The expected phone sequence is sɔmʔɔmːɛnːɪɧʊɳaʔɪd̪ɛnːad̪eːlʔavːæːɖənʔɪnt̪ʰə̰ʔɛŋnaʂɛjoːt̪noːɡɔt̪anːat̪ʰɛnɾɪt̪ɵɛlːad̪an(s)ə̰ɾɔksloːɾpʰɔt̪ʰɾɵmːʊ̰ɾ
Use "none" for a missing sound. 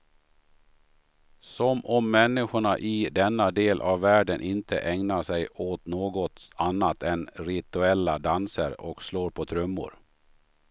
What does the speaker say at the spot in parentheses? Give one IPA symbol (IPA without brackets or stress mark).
s